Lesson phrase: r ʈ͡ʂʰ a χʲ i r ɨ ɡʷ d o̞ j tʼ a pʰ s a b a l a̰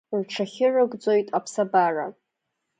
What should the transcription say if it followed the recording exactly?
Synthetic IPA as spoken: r ʈ͡ʂʰ a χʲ ɪ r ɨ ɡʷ d͡z o̞ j tʼ a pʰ s a b a r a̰